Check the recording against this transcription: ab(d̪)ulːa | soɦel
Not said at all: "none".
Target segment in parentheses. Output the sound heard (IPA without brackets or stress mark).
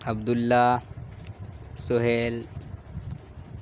d̪